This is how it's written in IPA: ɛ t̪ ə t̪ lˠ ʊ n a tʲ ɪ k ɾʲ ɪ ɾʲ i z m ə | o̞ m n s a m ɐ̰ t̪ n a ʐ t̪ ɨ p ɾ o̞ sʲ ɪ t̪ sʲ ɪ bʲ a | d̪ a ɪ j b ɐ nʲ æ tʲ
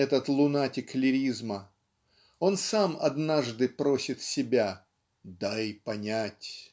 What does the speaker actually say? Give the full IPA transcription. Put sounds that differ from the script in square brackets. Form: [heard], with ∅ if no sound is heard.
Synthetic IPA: ɛ t̪ ə t̪ lˠ ʊ n a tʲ ɪ k [lʲ] ɪ ɾʲ i z m ə | o̞ [∅] n s a m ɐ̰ [d̪] n a ʐ [d̪] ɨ p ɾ o̞ sʲ ɪ t̪ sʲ ɪ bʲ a | d̪ a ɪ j [p] ɐ nʲ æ tʲ